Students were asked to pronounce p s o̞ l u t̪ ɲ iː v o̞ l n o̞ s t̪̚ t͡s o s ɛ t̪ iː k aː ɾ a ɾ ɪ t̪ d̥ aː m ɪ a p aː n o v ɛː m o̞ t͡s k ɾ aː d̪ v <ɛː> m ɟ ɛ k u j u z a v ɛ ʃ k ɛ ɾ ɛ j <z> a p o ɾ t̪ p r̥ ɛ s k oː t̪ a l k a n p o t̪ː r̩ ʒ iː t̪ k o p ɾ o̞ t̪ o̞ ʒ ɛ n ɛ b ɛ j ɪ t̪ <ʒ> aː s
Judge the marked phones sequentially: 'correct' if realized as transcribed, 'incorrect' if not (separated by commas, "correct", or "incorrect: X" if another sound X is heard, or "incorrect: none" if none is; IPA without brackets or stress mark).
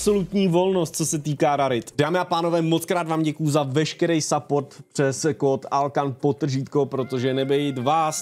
incorrect: aː, incorrect: s, incorrect: v